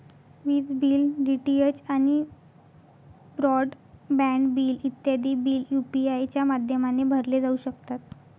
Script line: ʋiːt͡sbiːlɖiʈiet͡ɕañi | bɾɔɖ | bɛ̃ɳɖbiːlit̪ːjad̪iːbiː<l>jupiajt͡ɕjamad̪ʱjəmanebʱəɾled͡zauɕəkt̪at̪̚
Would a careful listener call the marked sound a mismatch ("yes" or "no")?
no